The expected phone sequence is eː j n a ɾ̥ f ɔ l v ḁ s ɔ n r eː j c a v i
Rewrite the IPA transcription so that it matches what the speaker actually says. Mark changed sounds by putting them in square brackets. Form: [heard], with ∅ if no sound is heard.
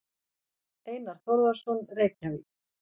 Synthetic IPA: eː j n a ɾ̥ [θ] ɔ [ɾ] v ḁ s ɔ n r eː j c a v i